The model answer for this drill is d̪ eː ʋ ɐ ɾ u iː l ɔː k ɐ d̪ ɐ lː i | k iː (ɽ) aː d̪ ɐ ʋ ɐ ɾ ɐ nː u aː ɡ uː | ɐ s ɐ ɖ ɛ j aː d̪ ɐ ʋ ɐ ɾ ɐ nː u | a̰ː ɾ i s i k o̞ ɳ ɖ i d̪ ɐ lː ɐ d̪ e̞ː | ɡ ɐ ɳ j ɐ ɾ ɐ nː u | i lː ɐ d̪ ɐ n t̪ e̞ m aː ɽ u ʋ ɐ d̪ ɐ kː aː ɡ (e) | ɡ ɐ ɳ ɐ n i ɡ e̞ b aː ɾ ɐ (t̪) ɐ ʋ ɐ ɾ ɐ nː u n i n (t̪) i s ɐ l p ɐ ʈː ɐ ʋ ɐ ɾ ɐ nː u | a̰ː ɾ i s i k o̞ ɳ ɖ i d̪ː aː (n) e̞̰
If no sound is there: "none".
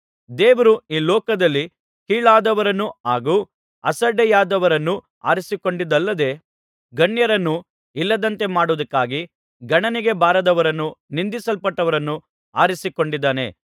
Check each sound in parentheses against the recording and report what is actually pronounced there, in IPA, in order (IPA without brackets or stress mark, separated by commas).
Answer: ɭ, i, d̪, d̪, n